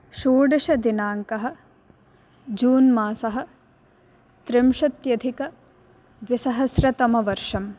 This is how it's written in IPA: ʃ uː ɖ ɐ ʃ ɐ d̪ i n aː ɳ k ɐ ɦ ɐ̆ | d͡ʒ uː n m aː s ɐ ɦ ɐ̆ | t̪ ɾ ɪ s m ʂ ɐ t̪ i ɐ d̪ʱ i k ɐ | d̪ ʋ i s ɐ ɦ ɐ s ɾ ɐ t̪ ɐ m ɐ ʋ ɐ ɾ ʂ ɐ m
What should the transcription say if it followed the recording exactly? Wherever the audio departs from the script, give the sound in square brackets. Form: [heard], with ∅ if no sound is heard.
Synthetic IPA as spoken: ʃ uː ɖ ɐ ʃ ɐ d̪ i n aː [ŋ] k ɐ ɦ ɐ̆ | d͡ʒ uː n m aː s ɐ ɦ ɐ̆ | t̪ ɾ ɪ [∅] m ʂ ɐ t̪ [j] ɐ d̪ʱ i k ɐ | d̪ ʋ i s ɐ ɦ ɐ s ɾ ɐ t̪ ɐ m ɐ ʋ ɐ ɾ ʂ ɐ m